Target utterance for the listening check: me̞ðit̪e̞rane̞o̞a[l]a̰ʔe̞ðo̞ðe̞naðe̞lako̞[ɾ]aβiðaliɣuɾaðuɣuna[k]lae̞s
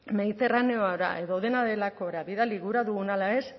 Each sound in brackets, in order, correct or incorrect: incorrect, correct, incorrect

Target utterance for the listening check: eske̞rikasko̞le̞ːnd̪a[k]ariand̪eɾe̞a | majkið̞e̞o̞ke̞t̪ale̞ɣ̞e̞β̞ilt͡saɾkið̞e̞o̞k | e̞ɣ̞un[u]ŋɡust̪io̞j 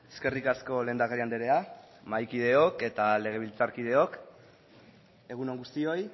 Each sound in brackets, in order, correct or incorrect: correct, incorrect

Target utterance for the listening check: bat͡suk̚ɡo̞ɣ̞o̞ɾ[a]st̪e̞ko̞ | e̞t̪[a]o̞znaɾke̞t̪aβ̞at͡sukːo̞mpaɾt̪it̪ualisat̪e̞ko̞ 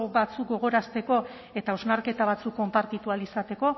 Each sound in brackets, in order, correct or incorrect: correct, correct

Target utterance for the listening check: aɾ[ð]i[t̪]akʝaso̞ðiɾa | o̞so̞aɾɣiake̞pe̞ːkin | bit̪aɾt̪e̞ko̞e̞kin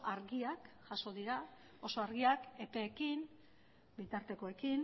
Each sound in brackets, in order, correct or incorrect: incorrect, incorrect

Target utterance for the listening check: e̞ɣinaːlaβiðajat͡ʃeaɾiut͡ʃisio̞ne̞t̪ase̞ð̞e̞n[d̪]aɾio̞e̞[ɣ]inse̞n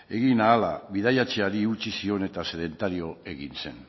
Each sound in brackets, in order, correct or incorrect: incorrect, correct

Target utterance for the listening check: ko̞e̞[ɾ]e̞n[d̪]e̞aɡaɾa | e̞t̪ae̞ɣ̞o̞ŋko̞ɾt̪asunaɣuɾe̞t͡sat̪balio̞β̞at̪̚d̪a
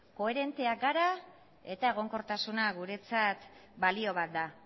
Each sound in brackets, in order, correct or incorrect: correct, incorrect

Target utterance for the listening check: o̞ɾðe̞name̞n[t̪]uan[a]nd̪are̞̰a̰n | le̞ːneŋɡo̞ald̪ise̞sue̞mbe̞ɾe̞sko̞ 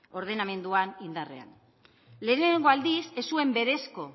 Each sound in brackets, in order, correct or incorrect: incorrect, incorrect

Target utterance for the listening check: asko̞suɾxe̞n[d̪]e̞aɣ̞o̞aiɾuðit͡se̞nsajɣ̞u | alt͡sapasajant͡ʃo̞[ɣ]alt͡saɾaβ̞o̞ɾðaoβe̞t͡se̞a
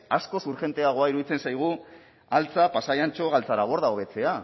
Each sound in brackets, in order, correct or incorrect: incorrect, correct

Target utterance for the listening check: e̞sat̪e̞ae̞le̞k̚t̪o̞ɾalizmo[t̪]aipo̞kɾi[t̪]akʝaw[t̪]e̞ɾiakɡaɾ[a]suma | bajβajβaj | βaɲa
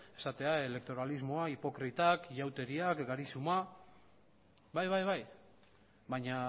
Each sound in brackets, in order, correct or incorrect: incorrect, correct, correct, incorrect

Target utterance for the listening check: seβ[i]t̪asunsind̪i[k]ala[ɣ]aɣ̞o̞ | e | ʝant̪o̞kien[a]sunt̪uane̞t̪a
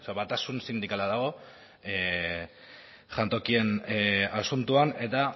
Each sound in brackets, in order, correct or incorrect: incorrect, correct, incorrect, correct

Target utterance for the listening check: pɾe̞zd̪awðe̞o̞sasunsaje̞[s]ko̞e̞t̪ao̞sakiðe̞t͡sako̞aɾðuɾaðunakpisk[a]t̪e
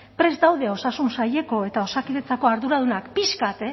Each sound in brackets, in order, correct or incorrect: incorrect, correct

